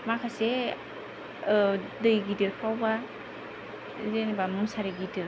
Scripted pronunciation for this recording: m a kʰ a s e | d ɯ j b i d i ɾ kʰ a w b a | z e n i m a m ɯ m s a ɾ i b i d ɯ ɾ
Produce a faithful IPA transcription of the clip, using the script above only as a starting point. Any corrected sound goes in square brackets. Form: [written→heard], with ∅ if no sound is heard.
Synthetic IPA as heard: m a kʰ a s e | d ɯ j [b→ɡ] i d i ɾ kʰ a w b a | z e n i [m→b] a m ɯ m s a ɾ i [b→ɡ] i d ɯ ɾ